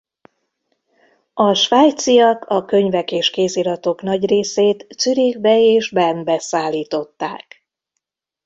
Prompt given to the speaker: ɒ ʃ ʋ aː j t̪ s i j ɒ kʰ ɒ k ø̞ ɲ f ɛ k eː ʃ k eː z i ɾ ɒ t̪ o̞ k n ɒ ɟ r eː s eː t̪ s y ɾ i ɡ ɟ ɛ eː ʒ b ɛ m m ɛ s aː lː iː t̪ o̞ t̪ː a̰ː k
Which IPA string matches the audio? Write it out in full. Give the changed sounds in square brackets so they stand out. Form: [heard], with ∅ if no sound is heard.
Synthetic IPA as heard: ɒ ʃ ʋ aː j t̪ s i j ɒ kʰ ɒ k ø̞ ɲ [v] ɛ k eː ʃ k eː z i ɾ ɒ t̪ o̞ k n ɒ ɟ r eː s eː t̪ s y ɾ i ɡ [b] ɛ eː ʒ b ɛ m [b] ɛ s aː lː iː t̪ o̞ t̪ː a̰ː k